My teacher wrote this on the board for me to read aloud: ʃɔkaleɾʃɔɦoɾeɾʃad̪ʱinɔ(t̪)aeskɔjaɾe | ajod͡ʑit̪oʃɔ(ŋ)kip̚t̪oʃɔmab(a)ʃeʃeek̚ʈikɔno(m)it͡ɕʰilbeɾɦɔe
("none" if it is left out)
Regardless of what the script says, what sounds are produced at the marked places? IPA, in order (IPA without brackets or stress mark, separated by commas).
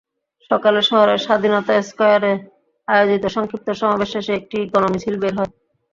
t̪, ŋ, e, m